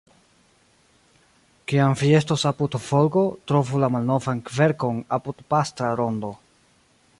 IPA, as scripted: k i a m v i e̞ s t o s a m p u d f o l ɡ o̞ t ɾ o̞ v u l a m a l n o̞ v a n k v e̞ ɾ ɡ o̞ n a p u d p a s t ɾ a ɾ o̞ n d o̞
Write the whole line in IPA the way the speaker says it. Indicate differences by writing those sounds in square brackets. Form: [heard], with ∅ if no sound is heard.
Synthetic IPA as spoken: k i a m v i e̞ s t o s a [∅] p u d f o l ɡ o̞ t ɾ o̞ v u l a m a l n o̞ v a n k v e̞ ɾ [k] o̞ n a p u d p a s t ɾ a ɾ o̞ n d o̞